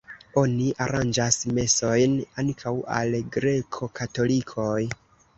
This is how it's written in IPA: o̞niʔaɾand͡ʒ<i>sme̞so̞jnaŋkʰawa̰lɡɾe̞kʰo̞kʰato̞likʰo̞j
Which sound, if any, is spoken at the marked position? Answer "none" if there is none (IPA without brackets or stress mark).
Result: a